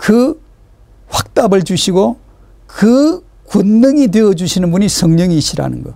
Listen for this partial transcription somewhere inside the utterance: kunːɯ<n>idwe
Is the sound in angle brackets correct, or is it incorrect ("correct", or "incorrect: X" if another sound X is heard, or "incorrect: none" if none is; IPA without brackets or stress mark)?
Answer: incorrect: ŋ